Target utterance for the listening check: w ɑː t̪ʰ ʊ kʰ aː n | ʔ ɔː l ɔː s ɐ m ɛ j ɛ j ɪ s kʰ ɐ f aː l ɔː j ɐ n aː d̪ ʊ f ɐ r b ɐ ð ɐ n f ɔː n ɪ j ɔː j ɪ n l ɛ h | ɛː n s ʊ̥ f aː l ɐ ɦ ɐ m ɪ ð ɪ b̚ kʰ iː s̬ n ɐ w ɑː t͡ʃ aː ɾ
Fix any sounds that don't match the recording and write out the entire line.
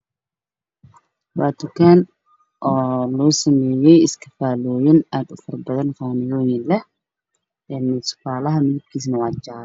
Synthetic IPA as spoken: w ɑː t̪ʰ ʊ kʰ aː n | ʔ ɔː l ɔː s ɐ m ɛː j ɛ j ɪ s kʰ ɐ f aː l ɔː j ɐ n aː d̪ ʊ f ɐ r b ɐ ð ɐ n f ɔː n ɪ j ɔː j ɪ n l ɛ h | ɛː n s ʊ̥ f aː l ɐ ɦ ɐ m ɪ ð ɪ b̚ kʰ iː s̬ n ɐ w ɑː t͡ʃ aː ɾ